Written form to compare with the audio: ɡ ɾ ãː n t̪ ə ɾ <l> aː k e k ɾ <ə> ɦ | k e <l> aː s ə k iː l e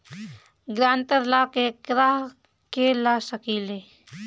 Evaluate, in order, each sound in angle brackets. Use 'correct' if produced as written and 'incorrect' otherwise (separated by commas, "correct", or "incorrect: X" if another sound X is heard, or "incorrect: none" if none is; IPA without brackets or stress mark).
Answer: correct, incorrect: a, correct